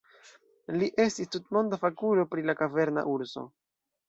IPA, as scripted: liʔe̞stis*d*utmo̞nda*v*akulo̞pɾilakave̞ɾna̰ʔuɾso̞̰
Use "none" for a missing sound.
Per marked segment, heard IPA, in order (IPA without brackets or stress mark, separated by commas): t, f